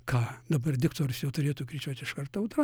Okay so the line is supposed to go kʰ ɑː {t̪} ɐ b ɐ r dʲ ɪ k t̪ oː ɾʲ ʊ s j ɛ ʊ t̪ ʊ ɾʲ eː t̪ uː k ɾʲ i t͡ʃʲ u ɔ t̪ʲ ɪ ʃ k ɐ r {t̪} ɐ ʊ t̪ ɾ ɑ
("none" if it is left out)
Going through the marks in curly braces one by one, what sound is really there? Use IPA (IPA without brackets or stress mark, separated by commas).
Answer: d̪, t̪